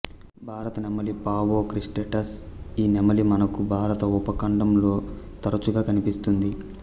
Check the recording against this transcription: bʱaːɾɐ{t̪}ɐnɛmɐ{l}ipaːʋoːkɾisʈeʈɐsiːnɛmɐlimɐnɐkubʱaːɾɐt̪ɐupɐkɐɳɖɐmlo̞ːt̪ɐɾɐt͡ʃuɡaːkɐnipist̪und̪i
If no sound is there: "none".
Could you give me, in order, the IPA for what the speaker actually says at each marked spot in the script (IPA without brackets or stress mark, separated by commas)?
t̪, l